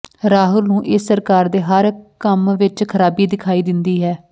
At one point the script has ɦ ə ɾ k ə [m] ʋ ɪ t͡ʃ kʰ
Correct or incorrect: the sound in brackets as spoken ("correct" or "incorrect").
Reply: correct